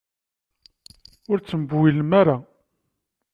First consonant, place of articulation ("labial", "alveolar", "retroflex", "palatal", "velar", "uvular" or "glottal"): alveolar